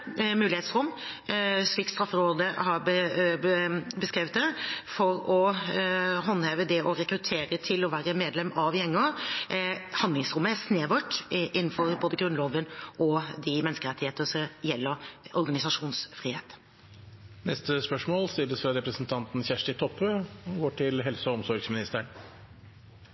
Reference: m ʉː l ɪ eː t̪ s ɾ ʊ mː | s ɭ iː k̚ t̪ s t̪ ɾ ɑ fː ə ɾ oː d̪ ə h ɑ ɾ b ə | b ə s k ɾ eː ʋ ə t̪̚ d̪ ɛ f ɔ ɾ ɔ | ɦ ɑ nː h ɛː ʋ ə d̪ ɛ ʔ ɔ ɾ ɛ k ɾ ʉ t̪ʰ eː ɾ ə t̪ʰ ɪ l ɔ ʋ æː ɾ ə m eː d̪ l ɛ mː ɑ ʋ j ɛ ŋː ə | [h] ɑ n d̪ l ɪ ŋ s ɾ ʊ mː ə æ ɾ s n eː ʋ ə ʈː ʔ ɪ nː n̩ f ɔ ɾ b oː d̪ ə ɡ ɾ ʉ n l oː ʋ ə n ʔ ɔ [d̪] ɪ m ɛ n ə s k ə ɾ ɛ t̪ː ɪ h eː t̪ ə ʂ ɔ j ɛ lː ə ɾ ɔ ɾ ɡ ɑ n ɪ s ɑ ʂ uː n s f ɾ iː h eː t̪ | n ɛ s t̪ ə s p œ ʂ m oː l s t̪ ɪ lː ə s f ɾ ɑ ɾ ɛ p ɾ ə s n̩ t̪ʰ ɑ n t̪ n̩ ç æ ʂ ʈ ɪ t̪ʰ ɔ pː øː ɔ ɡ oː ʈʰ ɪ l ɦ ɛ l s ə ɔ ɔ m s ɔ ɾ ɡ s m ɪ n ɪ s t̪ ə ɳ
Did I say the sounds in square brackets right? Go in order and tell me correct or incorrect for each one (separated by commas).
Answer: correct, correct